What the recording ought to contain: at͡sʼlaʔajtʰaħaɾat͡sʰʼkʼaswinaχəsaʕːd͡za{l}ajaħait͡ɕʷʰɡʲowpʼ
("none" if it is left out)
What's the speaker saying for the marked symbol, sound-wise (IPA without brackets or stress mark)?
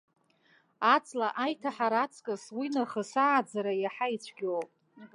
ɾ